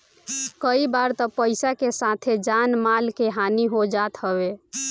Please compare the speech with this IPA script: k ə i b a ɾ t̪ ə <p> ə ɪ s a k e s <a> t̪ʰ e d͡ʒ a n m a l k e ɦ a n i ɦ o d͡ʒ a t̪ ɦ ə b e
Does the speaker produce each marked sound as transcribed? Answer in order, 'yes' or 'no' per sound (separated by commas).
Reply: yes, yes